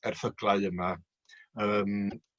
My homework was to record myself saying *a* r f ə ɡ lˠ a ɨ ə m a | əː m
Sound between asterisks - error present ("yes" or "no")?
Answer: yes